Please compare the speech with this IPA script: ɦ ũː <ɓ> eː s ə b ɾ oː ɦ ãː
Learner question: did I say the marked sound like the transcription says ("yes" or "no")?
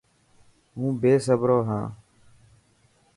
no